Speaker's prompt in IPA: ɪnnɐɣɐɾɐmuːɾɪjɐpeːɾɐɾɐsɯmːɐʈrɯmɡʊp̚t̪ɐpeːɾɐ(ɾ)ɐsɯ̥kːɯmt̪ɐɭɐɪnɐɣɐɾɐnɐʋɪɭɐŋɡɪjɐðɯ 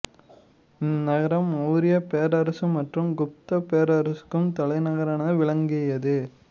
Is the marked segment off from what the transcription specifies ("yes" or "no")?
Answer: no